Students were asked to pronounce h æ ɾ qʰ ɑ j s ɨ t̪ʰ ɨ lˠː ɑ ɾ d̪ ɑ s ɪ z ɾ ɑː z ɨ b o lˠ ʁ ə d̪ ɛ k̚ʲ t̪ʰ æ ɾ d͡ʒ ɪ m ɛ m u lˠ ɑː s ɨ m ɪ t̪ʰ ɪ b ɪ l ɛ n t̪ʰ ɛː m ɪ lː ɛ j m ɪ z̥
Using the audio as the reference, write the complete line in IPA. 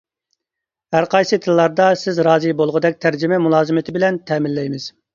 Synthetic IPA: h æ ɾ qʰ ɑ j s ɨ t̪ʰ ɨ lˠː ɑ ɾ d̪ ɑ s ɪ z ɾ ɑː z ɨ b o lˠ ʁ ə d̪ ɛ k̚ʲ t̪ʰ æ ɾ d͡ʒ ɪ m ɛ m u lˠ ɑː z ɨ m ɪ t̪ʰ ɪ b ɪ l ɛ n t̪ʰ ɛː m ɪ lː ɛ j m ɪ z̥

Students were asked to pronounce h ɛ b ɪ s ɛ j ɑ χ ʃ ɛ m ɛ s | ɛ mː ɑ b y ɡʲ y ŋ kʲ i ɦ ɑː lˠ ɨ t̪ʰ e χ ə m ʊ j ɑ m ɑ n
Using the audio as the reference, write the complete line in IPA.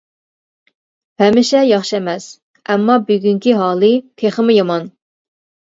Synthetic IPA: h ɛ m ɪ ʃ ɛ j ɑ χ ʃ ɛ m ɛ s | ɛ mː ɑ b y ɡʲ y ŋ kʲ i ɦ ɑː lˠ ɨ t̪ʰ e χ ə m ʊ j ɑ m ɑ n

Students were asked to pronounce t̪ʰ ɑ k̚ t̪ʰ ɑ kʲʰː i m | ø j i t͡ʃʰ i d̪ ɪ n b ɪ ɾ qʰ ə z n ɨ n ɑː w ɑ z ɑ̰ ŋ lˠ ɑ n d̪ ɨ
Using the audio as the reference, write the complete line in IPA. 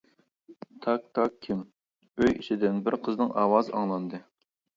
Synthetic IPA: t̪ʰ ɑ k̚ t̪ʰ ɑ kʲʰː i m | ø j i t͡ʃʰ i d̪ ɪ n b ɪ ɾ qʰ ə z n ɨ ŋ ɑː w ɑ z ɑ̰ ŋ lˠ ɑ n d̪ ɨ

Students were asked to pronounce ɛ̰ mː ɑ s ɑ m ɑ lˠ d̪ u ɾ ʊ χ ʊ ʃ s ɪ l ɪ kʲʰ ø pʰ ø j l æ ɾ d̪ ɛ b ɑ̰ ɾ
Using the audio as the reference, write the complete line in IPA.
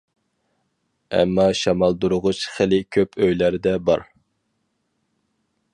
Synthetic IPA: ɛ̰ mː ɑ ʃ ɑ m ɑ lˠ d̪ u ɾ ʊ ʁ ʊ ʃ χ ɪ l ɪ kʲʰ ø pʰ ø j l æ ɾ d̪ ɛ b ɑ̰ ɾ

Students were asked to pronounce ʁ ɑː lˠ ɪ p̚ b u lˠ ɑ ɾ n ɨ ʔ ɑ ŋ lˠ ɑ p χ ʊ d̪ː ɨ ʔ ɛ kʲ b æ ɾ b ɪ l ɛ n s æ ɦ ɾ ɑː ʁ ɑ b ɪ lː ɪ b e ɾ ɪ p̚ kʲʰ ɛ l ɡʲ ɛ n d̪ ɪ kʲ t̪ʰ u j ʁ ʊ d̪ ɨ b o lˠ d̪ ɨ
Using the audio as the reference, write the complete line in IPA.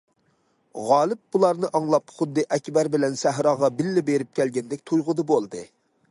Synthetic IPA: ʁ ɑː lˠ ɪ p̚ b u lˠ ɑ ɾ n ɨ ʔ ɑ ŋ lˠ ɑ p χ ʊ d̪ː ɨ ʔ ɛ kʲ b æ ɾ b ɪ l ɛ n s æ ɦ ɾ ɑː ʁ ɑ b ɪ lː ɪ b e ɾ ɪ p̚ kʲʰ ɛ l ɡʲ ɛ n d̪ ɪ kʲ t̪ʰ u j ʁ ʊ d̪ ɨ b o lˠ d̪ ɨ

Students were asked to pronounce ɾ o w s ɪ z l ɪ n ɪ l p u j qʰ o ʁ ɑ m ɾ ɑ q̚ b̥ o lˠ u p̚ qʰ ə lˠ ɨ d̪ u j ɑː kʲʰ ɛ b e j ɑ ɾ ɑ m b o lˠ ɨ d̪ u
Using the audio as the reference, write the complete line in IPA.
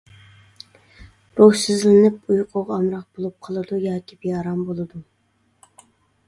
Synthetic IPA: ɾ o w s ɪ z l ɪ n ɪ p u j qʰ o ʁ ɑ m ɾ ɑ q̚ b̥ o lˠ u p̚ qʰ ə lˠ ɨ d̪ u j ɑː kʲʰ i b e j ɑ ɾ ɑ m b o lˠ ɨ d̪ u

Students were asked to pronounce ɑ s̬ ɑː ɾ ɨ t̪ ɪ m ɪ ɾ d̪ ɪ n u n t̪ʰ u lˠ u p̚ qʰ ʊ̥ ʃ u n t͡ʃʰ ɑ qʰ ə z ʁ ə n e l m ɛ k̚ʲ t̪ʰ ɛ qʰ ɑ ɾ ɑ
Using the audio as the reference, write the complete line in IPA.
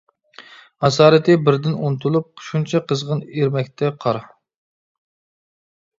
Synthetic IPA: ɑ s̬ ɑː ɾ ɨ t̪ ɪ b ɪ ɾ d̪ ɪ n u n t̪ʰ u lˠ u p̚ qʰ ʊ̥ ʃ u n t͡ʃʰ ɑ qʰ ə z ʁ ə n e ɾ m ɛ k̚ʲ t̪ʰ ɛ qʰ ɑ ɾ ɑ

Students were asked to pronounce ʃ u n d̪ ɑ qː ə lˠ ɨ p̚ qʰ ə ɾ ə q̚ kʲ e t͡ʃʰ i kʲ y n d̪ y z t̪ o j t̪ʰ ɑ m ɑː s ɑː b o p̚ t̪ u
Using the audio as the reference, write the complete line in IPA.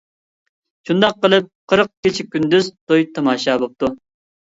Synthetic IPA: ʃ u n d̪ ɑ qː ə lˠ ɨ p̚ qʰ ə ɾ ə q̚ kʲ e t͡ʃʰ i kʲ y n d̪ y z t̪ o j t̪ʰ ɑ m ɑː ʃ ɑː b o p̚ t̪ u

